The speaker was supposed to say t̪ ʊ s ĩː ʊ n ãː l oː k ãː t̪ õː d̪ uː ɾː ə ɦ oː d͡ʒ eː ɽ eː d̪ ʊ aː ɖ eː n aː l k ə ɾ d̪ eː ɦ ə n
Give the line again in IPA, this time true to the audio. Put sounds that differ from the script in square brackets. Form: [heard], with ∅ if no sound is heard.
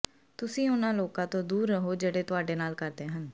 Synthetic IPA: t̪ ʊ s ĩː ʊ n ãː l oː k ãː t̪ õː d̪ uː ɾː ə ɦ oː d͡ʒ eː ɽ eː [t̪] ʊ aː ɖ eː n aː l k ə ɾ d̪ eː ɦ ə n